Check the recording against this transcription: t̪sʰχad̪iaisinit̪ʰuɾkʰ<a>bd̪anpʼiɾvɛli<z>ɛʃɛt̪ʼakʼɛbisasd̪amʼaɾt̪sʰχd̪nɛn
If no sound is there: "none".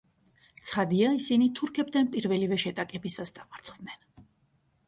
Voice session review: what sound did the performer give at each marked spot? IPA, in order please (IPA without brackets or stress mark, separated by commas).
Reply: ɛ, v